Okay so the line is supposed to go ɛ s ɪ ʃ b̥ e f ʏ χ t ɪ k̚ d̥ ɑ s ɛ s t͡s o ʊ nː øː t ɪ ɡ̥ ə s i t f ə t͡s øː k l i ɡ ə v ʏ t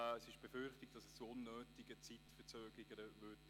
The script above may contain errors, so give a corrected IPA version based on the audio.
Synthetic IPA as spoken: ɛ s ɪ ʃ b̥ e f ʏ χ t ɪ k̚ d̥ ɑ s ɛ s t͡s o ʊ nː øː t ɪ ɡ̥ ə t͡s i t f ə t͡s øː ɡ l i ɡ ə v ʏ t